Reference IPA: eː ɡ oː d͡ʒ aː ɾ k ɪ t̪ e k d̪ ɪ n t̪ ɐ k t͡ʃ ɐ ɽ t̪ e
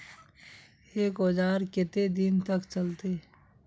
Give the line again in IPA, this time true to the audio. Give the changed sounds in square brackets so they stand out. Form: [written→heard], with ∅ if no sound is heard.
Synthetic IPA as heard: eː [ɡ→k] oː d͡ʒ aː ɾ k ɪ t̪ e [k→∅] d̪ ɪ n t̪ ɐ k t͡ʃ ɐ [ɽ→l] t̪ e